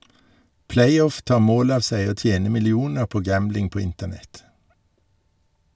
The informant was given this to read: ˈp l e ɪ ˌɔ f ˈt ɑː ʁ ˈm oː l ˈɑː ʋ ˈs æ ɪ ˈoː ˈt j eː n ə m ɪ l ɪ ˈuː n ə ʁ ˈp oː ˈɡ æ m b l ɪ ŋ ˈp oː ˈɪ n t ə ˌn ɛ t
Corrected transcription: ˈp l e ɪ ˌɔ f ˈt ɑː ʁ ˈm oː l ˈɑː ʋ ˈs æ ɪ ˈoː ˈt j eː n ə m ɪ l ɪ ˈuː n ə ʁ ˈp oː ˈɡ æ m b l ɪ ŋ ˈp oː ˈɪ n t ə ˌn ɛ t